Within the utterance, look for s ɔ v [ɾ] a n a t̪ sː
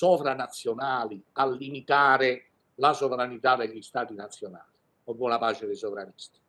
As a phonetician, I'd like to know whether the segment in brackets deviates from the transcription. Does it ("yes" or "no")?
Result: no